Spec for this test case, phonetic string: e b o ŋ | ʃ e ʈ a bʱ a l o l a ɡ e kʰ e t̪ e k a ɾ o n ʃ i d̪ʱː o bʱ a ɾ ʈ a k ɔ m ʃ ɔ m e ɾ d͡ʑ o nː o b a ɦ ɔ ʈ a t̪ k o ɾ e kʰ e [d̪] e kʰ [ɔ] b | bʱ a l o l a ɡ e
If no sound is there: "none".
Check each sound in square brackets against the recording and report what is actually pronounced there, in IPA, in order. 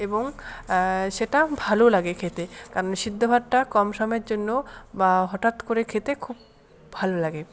t̪, u

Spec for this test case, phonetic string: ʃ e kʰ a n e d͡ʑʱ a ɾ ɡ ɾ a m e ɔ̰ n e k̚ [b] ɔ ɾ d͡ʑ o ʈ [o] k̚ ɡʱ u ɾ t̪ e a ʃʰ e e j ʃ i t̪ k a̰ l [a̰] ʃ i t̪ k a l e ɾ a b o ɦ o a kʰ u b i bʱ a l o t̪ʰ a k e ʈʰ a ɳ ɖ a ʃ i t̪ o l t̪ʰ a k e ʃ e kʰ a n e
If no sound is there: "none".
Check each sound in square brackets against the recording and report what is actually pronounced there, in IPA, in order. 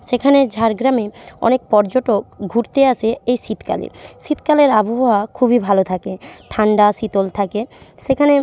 p, o, ḛ

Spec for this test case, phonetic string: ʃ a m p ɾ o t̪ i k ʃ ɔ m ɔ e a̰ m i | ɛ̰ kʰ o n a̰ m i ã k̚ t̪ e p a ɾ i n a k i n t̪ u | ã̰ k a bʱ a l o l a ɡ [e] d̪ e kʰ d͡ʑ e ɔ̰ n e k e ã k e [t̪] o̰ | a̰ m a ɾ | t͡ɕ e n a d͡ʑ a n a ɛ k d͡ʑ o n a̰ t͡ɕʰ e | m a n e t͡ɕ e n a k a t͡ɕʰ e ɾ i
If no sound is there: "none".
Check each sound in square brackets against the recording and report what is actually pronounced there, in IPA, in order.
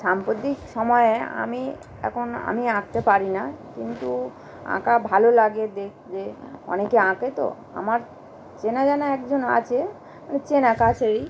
e, t̪

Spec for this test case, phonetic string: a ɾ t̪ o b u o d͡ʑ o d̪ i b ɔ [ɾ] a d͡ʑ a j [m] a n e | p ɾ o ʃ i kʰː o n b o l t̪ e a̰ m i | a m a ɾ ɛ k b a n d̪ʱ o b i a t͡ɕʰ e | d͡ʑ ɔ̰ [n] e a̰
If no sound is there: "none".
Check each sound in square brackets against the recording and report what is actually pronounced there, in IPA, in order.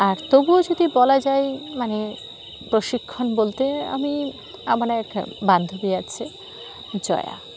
l, m, none

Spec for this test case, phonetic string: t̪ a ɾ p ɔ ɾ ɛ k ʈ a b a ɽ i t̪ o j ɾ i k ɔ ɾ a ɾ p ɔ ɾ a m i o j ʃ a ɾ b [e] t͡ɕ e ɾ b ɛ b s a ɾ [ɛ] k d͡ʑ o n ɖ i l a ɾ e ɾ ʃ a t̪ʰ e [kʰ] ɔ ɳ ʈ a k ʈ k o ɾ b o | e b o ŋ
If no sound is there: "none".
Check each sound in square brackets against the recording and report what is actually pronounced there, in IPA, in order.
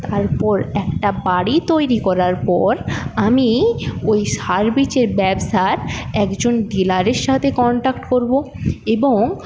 i, ɛ, k

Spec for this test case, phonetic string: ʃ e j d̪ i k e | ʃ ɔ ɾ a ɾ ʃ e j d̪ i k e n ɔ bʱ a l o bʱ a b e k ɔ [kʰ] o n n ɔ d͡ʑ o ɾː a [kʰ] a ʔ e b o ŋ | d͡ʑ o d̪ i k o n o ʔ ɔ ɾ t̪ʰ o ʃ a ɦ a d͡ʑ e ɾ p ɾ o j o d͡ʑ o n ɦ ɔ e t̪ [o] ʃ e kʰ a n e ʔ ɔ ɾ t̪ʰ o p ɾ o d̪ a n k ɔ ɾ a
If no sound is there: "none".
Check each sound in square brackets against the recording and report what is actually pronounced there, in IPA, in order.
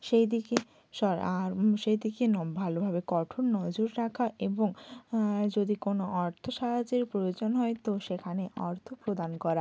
ʈʰ, kʰ, o

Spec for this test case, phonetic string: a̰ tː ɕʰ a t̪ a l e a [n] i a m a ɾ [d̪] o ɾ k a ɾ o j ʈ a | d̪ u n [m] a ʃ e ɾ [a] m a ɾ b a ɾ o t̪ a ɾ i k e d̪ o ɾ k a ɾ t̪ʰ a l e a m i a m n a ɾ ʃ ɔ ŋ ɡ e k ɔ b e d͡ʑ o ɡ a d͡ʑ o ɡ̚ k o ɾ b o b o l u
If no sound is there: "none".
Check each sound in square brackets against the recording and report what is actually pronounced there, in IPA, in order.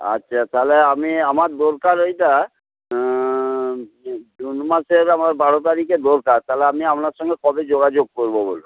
m, d̪, m, a

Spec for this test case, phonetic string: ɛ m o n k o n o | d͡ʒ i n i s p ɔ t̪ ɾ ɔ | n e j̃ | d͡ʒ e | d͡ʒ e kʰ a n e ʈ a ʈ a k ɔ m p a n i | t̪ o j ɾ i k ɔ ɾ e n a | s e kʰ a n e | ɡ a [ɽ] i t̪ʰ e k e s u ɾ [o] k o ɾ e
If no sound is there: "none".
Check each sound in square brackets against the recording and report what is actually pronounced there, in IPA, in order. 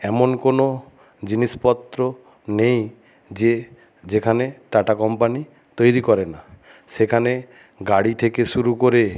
ɽ, u

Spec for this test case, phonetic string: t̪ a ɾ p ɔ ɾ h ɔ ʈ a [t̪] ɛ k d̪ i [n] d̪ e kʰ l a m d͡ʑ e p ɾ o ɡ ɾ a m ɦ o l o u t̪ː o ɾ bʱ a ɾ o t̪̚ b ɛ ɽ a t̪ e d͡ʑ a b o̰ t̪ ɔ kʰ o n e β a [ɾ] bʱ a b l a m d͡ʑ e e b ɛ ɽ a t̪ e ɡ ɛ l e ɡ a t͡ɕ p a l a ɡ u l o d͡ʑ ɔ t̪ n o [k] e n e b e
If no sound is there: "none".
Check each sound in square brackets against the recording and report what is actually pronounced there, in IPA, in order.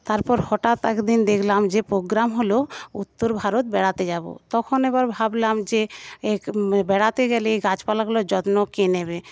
t̪, n, ɾ, k

